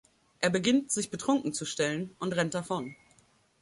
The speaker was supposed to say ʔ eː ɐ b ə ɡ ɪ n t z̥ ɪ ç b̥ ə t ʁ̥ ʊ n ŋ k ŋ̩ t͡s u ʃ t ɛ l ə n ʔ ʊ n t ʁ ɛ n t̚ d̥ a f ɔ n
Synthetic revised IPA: ʔ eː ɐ b ə ɡ ɪ n t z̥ ɪ ç b̥ ə t ʁ̥ ʊ ŋ k ŋ̩ t͡s u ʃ t ɛ l ə n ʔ ʊ n t ʁ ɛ n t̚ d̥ a f ɔ n